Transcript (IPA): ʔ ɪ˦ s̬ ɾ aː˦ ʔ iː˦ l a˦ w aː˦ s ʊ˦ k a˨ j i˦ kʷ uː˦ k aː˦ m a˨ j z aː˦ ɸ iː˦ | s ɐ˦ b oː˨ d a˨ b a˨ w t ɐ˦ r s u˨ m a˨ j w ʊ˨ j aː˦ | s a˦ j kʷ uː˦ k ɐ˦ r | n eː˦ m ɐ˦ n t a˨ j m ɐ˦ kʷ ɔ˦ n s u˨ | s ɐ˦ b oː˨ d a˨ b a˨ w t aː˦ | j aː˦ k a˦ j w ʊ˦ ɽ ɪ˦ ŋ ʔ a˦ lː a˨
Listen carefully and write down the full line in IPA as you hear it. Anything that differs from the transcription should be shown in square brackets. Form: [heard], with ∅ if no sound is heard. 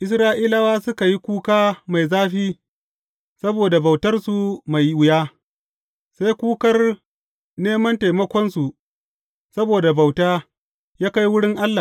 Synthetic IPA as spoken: ʔ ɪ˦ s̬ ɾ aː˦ ʔ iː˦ l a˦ w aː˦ s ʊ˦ k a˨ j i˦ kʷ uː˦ k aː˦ m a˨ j z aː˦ ɸ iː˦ | s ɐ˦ b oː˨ d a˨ b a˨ w t ɐ˦ r s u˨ m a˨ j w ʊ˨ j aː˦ | s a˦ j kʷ uː˦ k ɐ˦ r | n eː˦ m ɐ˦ n t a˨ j m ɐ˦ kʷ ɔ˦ n s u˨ | s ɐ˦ b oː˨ d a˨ b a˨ w t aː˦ | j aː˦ k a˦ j w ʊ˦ ɽ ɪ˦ ŋ ʔ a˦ lː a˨